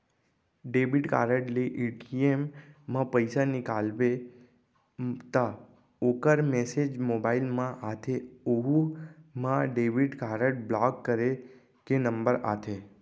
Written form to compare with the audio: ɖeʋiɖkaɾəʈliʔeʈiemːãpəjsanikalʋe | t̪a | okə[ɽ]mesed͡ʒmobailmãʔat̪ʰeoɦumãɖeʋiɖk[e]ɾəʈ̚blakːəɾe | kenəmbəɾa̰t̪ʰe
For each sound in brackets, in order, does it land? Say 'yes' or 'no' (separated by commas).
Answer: no, no